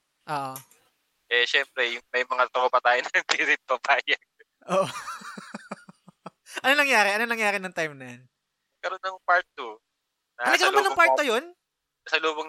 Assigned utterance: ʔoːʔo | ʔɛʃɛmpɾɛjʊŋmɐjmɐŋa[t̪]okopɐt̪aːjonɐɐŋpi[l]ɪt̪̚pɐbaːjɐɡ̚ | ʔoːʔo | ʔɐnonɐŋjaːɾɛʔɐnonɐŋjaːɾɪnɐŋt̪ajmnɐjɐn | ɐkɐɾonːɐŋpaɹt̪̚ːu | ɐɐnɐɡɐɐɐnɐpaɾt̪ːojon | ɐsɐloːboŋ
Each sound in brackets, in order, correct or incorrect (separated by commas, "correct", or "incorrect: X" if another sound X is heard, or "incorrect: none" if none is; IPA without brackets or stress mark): correct, incorrect: ɾ